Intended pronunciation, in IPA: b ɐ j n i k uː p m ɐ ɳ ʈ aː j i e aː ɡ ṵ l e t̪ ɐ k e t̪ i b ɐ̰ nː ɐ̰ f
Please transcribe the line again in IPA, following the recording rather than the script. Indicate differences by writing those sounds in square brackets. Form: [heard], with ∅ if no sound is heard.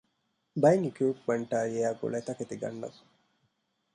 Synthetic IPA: b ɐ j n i k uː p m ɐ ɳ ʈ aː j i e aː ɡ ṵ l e t̪ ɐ k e t̪ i [ɡ] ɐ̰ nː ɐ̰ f

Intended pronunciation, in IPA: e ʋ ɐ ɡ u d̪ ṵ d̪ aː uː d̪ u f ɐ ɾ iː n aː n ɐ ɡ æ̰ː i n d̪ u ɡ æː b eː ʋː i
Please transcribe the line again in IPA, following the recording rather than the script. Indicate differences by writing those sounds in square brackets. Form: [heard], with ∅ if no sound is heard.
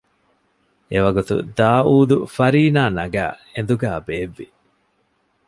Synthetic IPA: e ʋ ɐ ɡ u [t̪] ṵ d̪ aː uː d̪ u f ɐ ɾ iː n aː n ɐ ɡ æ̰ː [e] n d̪ u ɡ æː b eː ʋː i

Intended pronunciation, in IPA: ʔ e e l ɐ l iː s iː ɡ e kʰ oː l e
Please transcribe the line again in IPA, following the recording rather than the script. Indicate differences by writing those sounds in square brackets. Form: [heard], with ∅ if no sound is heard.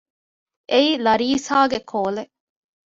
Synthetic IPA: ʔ e [i] l ɐ [ɾ] iː s [aː] ɡ e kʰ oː l e

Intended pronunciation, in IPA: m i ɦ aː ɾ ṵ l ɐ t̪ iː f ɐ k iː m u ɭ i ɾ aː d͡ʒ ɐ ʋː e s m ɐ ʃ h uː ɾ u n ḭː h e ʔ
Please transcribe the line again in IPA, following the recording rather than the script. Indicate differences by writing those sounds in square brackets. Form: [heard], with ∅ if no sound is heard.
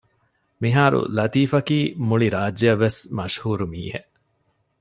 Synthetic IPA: m i ɦ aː ɾ ṵ l ɐ t̪ iː f ɐ k iː m u ɭ i ɾ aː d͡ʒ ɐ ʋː e s m ɐ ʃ h uː ɾ u [m] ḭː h e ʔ

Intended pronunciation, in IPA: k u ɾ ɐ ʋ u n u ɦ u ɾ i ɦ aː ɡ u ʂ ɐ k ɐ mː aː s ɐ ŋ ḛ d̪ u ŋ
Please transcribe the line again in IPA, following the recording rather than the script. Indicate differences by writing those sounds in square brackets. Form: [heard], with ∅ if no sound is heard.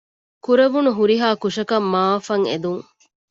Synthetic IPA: k u ɾ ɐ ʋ u n u ɦ u ɾ i ɦ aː [k] u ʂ ɐ k ɐ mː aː [f] ɐ ŋ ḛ d̪ u ŋ

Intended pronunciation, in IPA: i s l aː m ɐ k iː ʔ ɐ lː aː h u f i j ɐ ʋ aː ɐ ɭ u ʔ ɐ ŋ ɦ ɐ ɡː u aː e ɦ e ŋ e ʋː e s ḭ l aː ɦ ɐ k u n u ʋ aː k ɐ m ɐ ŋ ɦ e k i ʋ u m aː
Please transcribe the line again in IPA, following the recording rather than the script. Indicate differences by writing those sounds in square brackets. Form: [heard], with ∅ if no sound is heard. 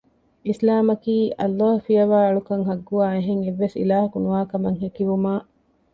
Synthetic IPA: i s l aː m ɐ k iː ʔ ɐ lː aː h u f i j ɐ ʋ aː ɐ ɭ u [k] ɐ ŋ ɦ ɐ ɡː u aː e ɦ e ŋ e ʋː e s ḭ l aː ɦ ɐ k u n u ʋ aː k ɐ m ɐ ŋ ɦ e k i ʋ u m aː

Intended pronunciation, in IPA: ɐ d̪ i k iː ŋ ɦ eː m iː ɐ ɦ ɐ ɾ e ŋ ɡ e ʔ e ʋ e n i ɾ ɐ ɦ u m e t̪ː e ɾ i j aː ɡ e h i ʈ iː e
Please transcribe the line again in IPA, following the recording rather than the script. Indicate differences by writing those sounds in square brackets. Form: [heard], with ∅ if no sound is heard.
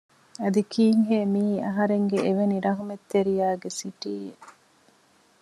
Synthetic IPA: ɐ d̪ i k iː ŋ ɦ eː m iː ɐ ɦ ɐ ɾ e ŋ ɡ e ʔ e ʋ e n i ɾ ɐ ɦ u m e t̪ː e ɾ i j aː ɡ e [s] i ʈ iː e

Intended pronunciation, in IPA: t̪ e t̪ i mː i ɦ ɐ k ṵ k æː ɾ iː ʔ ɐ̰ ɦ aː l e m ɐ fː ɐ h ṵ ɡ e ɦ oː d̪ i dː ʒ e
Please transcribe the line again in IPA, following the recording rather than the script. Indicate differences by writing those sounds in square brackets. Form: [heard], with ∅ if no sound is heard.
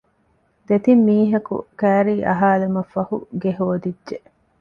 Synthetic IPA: [d̪] e t̪ i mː [iː] ɦ ɐ k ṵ k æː ɾ iː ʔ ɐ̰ ɦ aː l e m ɐ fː ɐ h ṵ ɡ e ɦ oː d̪ i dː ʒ e

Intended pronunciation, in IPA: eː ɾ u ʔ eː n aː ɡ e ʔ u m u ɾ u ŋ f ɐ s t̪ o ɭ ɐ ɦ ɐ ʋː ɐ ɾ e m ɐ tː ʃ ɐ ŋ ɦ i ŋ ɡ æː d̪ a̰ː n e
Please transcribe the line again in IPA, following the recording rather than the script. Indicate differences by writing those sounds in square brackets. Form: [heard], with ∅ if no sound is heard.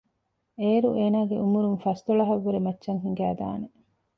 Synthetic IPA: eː ɾ u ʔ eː n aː ɡ e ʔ u m u ɾ u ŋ f ɐ s t̪ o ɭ ɐ ɦ ɐ ʋː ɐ ɾ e m ɐ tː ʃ ɐ ŋ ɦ i ŋ ɡ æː d̪ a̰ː n e

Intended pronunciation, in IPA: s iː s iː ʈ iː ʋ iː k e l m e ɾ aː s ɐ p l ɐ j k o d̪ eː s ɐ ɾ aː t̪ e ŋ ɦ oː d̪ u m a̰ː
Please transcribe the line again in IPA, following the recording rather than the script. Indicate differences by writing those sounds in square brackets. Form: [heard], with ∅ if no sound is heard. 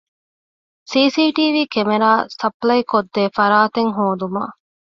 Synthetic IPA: s iː s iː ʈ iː ʋ iː k e [∅] m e ɾ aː s ɐ p l ɐ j k o [d̪ː] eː [f] ɐ ɾ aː t̪ e ŋ ɦ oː d̪ u m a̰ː

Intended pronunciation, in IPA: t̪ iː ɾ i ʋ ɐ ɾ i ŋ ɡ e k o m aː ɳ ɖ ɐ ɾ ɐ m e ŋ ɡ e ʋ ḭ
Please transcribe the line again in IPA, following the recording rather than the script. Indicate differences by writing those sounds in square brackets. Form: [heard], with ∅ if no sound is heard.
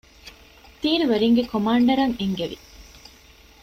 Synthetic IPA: t̪ iː ɾ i ʋ ɐ ɾ i ŋ ɡ e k o m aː ɳ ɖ ɐ ɾ ɐ [ŋ] e ŋ ɡ e ʋ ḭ

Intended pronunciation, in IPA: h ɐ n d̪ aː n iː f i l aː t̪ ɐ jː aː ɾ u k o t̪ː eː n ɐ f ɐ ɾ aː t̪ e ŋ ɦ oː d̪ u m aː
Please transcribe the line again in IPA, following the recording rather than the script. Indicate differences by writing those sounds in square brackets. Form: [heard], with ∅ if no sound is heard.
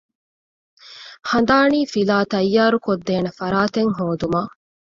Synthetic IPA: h ɐ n d̪ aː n iː f i l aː t̪ ɐ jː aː ɾ u k o [d̪ː] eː n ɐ f ɐ ɾ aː t̪ e ŋ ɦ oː d̪ u m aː

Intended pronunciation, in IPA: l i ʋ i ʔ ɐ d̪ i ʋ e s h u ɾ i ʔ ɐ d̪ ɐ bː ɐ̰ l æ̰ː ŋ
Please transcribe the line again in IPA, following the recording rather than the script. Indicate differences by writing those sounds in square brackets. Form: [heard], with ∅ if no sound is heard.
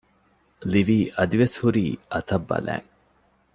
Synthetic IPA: l i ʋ [iː] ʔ ɐ d̪ i ʋ e s h u ɾ [iː] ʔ ɐ [t̪] ɐ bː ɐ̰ l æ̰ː ŋ

